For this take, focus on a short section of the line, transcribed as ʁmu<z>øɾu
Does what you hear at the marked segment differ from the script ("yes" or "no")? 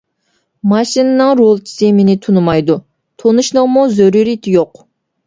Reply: no